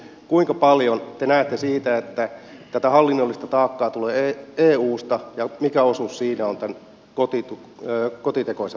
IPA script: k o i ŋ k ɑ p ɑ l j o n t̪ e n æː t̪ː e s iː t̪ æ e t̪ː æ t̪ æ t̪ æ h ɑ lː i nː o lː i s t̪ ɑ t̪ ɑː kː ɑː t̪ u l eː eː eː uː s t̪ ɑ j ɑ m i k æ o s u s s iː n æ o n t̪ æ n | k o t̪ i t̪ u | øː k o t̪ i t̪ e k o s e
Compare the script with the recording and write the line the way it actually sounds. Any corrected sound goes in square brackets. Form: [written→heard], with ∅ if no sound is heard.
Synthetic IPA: k [o→u] i ŋ k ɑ p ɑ l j o n t̪ e n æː t̪ː e s iː t̪ æ e t̪ː æ t̪ æ t̪ æ h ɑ lː i nː o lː i s t̪ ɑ t̪ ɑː kː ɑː t̪ u l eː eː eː uː s t̪ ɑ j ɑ m i k æ o s u s s iː n æ o n t̪ æ n | k o t̪ i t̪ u | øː k o t̪ i t̪ e k o s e